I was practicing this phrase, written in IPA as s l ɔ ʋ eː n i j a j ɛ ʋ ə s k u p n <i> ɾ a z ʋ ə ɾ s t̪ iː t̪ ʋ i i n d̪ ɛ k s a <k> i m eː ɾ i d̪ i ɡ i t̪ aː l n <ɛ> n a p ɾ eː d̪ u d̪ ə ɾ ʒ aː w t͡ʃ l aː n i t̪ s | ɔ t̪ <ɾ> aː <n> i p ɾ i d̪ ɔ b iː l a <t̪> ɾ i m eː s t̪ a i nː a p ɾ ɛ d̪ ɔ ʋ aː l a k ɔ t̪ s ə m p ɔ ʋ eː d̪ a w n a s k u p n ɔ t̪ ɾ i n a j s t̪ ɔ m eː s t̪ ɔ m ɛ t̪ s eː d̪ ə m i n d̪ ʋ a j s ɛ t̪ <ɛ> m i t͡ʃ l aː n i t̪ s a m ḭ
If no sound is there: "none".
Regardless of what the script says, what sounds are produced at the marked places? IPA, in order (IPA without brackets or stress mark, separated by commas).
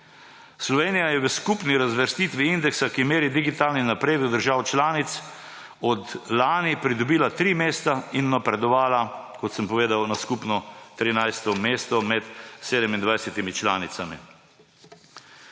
i, k, i, l, n, t̪, i